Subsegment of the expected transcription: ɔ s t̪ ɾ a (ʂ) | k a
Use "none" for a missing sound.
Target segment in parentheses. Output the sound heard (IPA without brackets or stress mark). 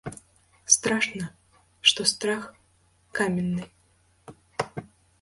x